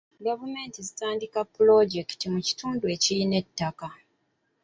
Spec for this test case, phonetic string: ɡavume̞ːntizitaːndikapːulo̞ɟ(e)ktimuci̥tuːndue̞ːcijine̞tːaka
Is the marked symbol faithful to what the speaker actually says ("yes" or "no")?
yes